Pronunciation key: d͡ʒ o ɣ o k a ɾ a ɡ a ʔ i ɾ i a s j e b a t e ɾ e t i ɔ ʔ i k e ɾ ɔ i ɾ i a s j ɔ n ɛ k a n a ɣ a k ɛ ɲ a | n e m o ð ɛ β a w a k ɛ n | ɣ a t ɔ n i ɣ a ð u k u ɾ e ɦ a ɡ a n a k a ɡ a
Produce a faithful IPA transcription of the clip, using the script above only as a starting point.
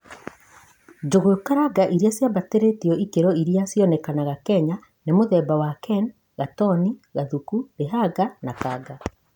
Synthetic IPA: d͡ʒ o ɣ o k a ɾ a ɡ a ʔ i ɾ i a s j a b a t e ɾ e t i ɔ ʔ i k e ɾ ɔ i ɾ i a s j ɔ n ɛ k a n a ɣ a k ɛ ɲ a | n e m o ð ɛ b a w a k ɛ n | ɣ a t ɔ n i ɣ a ð u k u ɾ e ɦ a ɡ a n a k a ɡ a